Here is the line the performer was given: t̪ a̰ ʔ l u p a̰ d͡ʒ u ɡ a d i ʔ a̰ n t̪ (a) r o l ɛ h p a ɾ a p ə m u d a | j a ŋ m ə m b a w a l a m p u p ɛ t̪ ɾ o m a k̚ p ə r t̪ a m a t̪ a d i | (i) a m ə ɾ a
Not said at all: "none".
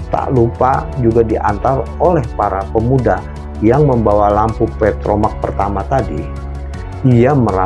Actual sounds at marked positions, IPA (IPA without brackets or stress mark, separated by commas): a, i